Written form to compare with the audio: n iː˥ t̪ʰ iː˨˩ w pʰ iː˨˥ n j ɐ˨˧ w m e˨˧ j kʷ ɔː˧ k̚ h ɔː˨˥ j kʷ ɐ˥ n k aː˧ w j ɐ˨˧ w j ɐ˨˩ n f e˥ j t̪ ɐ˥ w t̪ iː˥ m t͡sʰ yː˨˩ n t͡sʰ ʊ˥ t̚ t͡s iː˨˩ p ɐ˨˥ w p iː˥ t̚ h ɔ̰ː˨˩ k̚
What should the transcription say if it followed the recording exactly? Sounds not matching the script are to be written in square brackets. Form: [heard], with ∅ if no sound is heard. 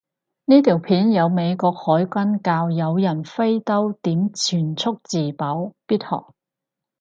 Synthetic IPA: n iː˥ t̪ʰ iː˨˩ w pʰ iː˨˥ n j ɐ˨˧ w m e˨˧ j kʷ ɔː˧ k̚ h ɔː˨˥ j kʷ ɐ˥ n k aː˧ w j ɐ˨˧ w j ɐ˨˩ n f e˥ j t̪ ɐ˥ w t̪ [iː˨˥] m t͡sʰ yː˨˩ n t͡sʰ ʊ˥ [k̚] t͡s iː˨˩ p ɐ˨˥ w p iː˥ t̚ h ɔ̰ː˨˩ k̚